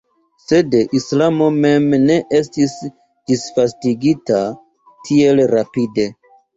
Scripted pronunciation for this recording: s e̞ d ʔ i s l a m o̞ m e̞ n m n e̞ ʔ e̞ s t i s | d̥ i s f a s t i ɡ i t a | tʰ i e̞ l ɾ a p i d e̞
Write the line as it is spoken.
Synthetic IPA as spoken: s e̞ d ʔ i s l a m o̞ m e̞ m n e̞ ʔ e̞ s t i s | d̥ i s f a s t i ɡ i t a | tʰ i e̞ l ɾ a p i d e̞